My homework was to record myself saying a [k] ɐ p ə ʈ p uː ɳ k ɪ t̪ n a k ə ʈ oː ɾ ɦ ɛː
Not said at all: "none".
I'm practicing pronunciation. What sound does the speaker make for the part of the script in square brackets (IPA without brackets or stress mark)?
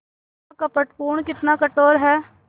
k